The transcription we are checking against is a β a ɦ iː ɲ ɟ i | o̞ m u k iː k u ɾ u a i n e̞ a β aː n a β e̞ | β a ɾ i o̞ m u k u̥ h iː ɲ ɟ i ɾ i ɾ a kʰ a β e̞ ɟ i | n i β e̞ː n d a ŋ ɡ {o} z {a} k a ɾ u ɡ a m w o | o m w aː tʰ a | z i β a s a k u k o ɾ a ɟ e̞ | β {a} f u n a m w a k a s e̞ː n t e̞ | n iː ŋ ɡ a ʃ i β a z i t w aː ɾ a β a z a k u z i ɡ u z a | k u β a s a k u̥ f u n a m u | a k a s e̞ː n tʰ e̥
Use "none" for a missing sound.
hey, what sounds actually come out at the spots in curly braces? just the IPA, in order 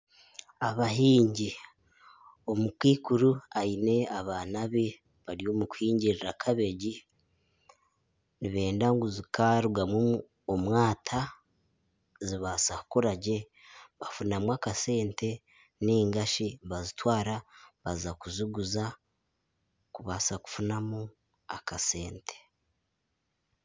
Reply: u, i, a

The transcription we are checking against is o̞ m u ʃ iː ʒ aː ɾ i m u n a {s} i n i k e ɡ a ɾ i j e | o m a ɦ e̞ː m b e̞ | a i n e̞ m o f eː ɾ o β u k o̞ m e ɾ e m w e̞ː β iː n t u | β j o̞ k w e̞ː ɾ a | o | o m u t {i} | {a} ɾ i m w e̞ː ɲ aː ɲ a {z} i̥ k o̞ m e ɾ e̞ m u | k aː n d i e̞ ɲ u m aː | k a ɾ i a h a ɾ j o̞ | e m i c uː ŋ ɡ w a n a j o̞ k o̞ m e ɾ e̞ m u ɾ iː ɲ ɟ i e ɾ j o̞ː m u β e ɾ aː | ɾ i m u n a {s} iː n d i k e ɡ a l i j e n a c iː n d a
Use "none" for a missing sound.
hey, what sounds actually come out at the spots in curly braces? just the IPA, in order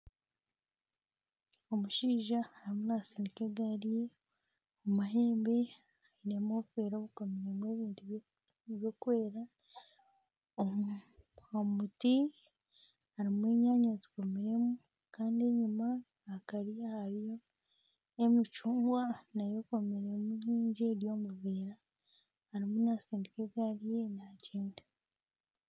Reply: s, i, a, z, s

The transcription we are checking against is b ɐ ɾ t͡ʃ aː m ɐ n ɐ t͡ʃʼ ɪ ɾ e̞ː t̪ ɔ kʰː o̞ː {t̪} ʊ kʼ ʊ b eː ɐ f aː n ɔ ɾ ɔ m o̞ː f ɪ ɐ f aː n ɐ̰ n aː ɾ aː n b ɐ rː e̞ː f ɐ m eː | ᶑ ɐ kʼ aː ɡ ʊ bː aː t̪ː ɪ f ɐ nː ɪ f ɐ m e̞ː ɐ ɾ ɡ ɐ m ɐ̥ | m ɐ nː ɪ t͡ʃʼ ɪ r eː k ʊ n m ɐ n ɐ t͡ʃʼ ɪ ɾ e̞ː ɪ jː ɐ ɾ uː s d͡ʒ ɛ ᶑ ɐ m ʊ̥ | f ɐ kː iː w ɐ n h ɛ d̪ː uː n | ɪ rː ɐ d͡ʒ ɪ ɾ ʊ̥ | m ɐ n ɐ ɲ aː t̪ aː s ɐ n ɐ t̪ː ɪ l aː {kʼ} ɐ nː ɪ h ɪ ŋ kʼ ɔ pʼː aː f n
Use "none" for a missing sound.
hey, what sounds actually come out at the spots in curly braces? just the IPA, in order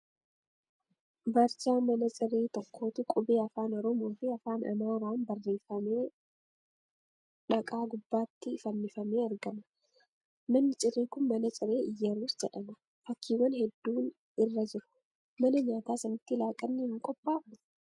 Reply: t̪, kʼ

